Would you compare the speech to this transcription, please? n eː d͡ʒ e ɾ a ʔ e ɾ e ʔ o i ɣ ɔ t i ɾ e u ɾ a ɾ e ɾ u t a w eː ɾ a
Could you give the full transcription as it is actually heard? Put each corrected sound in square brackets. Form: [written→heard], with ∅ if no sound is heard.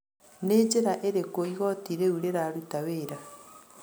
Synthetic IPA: n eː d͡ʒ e ɾ a ʔ e ɾ e [ʔ→k] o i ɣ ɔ t i ɾ e u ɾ [a→e] ɾ [e→a] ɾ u t a w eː ɾ a